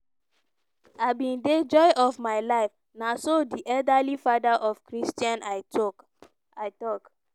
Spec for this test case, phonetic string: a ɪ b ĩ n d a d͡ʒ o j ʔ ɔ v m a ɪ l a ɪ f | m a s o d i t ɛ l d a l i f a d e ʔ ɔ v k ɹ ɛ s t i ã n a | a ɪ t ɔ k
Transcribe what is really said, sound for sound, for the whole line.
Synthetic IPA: a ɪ b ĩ n d e d͡ʒ ɔ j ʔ ɔ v m a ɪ l a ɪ f | n a s o d i ʔ ɛ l d a l i f a d a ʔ ɔ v k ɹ i s t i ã n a | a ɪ t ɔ k